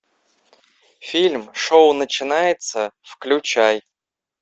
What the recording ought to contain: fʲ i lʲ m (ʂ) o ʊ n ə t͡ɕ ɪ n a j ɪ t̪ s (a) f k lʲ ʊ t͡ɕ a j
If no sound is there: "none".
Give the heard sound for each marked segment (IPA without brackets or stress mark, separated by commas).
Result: ʂ, ə